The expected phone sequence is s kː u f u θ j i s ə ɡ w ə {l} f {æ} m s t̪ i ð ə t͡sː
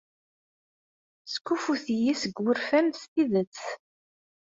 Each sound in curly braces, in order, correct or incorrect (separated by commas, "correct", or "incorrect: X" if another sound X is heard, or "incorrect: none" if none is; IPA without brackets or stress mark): incorrect: ɾ, correct